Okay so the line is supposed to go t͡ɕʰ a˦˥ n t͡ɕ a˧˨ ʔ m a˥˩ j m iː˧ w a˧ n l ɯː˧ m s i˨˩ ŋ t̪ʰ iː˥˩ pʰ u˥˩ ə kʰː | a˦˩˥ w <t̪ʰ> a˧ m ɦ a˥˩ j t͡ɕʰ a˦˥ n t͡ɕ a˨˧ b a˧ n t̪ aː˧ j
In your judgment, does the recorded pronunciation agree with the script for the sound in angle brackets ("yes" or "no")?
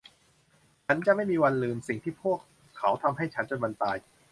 yes